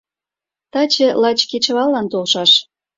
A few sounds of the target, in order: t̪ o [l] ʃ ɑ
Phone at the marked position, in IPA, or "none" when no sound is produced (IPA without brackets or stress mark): l